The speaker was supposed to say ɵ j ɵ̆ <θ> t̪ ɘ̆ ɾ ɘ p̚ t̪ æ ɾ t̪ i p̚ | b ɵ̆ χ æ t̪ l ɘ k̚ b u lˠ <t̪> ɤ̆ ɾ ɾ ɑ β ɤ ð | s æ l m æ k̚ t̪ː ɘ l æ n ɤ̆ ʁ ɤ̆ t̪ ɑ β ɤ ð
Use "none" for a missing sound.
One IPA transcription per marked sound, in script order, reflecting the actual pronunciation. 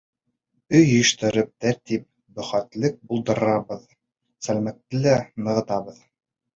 ʃ, d̪

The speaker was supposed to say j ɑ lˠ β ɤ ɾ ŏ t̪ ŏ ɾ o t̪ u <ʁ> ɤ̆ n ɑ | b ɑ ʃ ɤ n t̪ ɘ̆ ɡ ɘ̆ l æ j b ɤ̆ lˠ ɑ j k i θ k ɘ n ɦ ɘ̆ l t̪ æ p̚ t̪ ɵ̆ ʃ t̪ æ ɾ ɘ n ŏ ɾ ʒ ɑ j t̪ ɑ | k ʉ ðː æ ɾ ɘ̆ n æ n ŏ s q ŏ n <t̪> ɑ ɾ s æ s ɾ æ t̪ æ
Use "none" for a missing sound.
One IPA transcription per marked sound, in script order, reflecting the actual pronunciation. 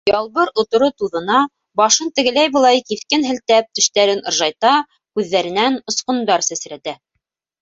ð, d̪

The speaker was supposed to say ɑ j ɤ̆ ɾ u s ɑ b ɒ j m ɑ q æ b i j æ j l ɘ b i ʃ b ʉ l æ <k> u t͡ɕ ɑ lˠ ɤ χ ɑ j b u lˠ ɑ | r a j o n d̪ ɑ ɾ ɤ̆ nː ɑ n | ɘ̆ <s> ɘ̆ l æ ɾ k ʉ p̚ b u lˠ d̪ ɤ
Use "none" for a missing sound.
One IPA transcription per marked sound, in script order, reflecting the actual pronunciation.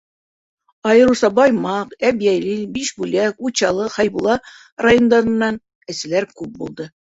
k, s

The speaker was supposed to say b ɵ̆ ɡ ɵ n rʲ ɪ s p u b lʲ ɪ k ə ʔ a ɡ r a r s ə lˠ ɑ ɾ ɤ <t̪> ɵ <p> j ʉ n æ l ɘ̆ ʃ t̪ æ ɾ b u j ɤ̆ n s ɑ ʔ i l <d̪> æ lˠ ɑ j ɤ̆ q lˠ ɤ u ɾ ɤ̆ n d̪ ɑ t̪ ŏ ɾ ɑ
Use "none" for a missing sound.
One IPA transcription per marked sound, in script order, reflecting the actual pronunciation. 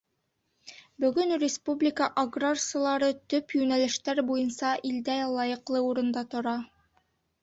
t̪, p, d̪

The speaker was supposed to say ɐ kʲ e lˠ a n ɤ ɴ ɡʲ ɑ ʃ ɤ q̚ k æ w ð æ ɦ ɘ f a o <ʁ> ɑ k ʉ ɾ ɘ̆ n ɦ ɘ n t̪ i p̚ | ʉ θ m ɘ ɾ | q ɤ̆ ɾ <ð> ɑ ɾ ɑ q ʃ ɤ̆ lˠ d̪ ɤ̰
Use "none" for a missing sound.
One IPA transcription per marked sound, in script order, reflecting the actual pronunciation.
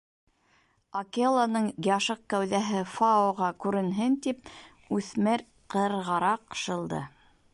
ʁ, ʁ

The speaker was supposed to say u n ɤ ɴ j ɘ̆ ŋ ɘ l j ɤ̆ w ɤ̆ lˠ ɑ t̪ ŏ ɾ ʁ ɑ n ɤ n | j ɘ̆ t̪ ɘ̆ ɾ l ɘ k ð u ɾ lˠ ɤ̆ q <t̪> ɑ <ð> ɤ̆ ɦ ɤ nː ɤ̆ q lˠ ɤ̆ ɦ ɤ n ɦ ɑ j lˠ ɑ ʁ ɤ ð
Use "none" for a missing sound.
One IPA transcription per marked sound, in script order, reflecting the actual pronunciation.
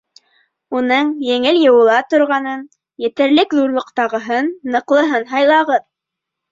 t̪, ʁ

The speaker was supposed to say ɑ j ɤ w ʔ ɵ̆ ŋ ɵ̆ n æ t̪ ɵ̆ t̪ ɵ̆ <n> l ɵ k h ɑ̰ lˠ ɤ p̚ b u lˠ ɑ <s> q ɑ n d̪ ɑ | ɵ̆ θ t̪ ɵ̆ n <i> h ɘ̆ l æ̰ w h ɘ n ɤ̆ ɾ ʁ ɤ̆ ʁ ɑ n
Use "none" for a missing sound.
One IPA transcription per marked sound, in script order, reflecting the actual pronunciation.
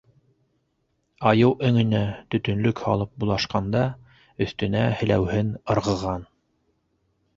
n, ʃ, æ

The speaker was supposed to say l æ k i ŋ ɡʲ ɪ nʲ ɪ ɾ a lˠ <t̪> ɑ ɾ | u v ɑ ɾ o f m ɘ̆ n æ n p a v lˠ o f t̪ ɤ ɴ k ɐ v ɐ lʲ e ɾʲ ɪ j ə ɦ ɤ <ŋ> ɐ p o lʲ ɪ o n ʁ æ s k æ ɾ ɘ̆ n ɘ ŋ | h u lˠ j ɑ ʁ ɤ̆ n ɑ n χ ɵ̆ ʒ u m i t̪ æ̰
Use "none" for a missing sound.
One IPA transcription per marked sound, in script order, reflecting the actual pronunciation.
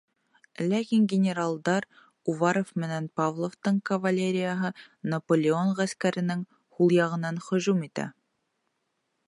d̪, n

